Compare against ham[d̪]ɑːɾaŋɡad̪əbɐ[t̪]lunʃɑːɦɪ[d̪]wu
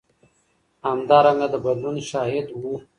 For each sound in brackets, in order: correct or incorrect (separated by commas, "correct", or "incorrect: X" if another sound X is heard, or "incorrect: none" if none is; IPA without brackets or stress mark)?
correct, incorrect: d̪, correct